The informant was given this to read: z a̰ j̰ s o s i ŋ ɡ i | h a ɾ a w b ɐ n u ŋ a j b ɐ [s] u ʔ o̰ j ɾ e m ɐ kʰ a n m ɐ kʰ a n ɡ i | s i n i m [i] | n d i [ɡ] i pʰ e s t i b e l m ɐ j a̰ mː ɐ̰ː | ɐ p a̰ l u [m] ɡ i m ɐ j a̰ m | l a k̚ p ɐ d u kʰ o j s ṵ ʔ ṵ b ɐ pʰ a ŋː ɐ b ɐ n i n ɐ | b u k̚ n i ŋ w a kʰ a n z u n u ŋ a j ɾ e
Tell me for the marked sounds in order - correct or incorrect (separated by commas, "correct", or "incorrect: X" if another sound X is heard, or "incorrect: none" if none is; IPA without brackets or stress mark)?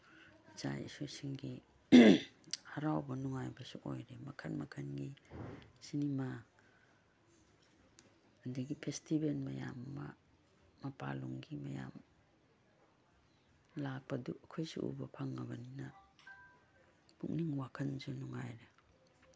correct, incorrect: a, correct, incorrect: ŋ